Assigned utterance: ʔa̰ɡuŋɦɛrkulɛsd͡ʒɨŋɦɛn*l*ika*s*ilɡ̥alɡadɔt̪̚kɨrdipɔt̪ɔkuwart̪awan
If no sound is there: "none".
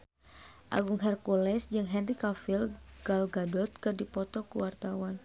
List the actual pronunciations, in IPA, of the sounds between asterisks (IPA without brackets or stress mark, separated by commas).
r, f